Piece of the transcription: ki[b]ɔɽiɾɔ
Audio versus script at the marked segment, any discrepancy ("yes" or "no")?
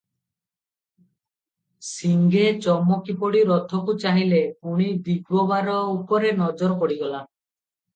yes